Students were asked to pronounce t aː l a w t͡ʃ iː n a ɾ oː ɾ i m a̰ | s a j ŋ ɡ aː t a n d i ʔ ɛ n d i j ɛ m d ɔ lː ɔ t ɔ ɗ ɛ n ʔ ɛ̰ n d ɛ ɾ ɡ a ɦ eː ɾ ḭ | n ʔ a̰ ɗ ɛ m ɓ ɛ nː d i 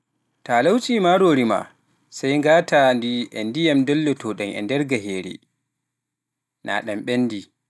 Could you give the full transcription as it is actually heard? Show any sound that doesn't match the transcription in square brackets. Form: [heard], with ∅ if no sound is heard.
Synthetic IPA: t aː l a w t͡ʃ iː [m] a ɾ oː ɾ i m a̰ | s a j ŋ ɡ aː t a n d i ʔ ɛ n d i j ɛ m d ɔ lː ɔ t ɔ ɗ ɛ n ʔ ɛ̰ n d ɛ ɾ ɡ a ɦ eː ɾ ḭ | n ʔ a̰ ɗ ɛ m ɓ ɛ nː d i

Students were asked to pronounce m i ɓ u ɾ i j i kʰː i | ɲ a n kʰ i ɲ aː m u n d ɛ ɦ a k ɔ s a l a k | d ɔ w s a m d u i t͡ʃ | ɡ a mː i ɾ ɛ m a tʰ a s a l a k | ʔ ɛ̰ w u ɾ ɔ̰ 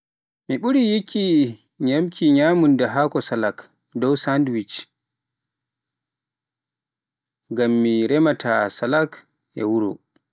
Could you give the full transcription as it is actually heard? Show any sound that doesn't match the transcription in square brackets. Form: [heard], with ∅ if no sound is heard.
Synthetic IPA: m i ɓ u ɾ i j i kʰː i | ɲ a [m] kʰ i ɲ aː m u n d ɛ ɦ a k ɔ s a l a k | d ɔ w s a [n] d [w] i t͡ʃ | ɡ a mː i ɾ ɛ m a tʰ a s a l a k | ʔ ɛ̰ w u ɾ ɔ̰

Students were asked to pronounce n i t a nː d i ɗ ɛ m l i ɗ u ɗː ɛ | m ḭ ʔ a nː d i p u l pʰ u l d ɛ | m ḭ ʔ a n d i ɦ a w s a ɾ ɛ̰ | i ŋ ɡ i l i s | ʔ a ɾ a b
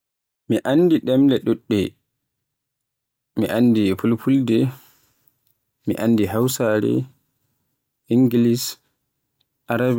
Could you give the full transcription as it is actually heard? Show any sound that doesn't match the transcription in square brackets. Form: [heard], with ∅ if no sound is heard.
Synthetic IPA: [m] i [ʔ] a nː d i ɗ ɛ m l [ɛ] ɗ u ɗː ɛ | m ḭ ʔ a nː d i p u l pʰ u l d ɛ | m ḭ ʔ a n d i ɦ a w s a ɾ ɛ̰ | i ŋ ɡ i l i s | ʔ a ɾ a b

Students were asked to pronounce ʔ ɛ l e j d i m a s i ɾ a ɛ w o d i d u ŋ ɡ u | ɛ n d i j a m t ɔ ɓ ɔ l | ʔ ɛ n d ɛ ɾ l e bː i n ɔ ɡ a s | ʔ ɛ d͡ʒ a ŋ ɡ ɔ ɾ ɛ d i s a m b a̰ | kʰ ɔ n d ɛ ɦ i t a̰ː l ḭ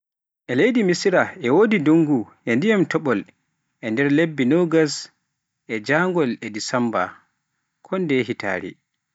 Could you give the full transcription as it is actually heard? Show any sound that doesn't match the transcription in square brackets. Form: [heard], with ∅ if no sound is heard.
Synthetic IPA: ʔ ɛ l e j d i m [i] s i ɾ a ɛ w o d i d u ŋ ɡ u | ɛ n d i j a m t ɔ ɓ ɔ l | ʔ ɛ n d ɛ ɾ l e bː i n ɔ ɡ a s | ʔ ɛ d͡ʒ a ŋ ɡ ɔ [l] ɛ d i s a m b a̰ | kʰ ɔ n d ɛ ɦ i t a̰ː [ɾ] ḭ

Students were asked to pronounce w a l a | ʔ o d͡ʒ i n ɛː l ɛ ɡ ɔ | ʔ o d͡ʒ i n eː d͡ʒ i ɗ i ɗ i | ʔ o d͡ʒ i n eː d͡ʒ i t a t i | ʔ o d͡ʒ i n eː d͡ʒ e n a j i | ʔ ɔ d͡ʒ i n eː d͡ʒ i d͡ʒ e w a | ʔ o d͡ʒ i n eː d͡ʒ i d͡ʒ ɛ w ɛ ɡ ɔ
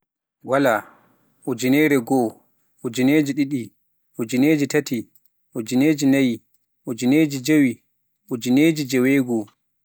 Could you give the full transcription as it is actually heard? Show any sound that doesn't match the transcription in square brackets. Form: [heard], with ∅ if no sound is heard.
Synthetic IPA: w a l a | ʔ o d͡ʒ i n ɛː [ɾ] ɛ ɡ ɔ | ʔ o d͡ʒ i n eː d͡ʒ i ɗ i ɗ i | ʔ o d͡ʒ i n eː d͡ʒ i t a t i | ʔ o d͡ʒ i n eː d͡ʒ [i] n a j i | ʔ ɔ d͡ʒ i n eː d͡ʒ i d͡ʒ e w [i] | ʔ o d͡ʒ i n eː d͡ʒ i d͡ʒ ɛ w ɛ ɡ ɔ

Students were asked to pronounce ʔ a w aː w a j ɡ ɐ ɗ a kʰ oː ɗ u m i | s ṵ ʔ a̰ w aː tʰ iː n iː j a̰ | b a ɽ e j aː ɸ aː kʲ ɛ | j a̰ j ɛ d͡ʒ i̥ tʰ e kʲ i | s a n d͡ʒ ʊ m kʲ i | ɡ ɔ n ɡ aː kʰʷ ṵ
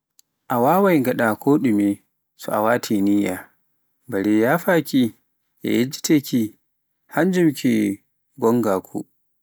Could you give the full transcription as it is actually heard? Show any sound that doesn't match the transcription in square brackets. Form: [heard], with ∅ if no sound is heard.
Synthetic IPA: ʔ a w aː w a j ɡ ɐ ɗ a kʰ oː ɗ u m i | s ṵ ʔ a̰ w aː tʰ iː n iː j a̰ | b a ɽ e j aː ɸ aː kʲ [i] | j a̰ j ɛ d͡ʒ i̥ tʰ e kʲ i | [h] a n d͡ʒ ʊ m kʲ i | ɡ ɔ [ŋ] ɡ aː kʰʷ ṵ

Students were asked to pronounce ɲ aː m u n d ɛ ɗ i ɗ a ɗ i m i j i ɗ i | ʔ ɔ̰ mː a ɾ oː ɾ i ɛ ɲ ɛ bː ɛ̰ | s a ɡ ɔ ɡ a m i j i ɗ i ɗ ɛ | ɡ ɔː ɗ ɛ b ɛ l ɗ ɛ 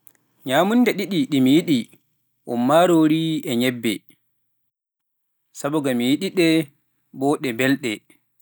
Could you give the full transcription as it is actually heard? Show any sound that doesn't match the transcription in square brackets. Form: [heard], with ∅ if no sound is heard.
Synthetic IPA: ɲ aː m u n d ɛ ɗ i ɗ [i] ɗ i m i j i ɗ i | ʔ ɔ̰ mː a ɾ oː ɾ i ɛ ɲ ɛ bː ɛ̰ | s a [b] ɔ ɡ a m i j i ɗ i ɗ ɛ | [b] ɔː ɗ ɛ b ɛ l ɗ ɛ

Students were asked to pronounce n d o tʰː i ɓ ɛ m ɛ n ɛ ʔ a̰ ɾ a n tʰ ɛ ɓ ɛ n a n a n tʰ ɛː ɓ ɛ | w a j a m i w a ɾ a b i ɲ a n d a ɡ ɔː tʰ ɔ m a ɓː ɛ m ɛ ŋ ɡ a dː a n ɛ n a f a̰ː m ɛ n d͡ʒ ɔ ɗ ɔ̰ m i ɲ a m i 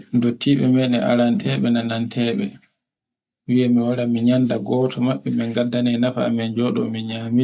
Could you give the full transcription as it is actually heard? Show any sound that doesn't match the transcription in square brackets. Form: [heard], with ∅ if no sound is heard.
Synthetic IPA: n d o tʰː i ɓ ɛ m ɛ n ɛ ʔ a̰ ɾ a n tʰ ɛ ɓ ɛ n a n a n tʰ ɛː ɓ ɛ | w [i] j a m i w a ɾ a [m] i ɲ a n d a ɡ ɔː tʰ ɔ m a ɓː ɛ m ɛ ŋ ɡ a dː a n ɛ n a f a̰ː m ɛ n d͡ʒ ɔ ɗ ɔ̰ m i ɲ a m i

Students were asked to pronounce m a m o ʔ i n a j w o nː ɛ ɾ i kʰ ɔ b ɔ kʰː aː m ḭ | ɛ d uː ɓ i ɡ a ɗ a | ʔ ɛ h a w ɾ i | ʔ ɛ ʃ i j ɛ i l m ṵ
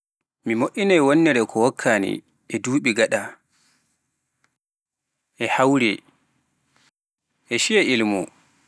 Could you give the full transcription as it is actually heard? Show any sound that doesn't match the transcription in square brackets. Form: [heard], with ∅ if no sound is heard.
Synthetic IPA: m [i] m o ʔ i n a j w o nː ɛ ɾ [ɛ] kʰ ɔ [w] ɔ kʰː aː [n] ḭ | ɛ d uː ɓ i ɡ a ɗ a | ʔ ɛ h a w ɾ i | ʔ ɛ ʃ i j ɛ i l m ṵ

